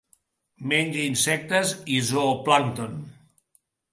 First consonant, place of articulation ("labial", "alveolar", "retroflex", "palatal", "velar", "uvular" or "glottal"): labial